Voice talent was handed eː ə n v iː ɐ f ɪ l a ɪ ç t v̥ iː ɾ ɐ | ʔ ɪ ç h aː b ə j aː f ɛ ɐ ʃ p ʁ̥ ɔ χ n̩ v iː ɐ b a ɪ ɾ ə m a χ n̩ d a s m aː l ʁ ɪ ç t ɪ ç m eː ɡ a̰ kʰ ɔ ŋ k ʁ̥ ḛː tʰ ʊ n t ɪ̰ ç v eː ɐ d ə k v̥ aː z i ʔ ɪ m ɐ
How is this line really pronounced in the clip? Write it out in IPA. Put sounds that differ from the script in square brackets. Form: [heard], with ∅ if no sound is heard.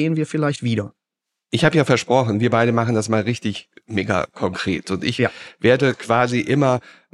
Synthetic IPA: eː ə n v iː ɐ f ɪ l a ɪ ç t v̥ iː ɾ ɐ | ʔ ɪ ç h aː b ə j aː f ɛ ɐ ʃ p ʁ̥ ɔ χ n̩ v iː ɐ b a ɪ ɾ ə m a χ n̩ d a s m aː l ʁ ɪ ç t ɪ ç m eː ɡ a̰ kʰ ɔ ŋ k ʁ̥ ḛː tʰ ʊ n t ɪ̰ ç v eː ɐ d ə k v̥ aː z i ʔ ɪ m ɐ